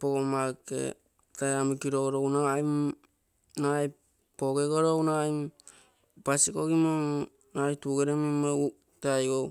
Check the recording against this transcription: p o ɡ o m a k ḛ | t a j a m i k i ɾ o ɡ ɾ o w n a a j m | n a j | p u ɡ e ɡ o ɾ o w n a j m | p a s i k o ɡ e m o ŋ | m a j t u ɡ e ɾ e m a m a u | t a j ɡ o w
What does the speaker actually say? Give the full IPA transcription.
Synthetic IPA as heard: p o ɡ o m a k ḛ | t a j a m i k i ɾ o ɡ ɾ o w n a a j m | n a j | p o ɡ e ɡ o ɾ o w n a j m | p a s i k o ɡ i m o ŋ | n a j t u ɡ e ɾ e m i m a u | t a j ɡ o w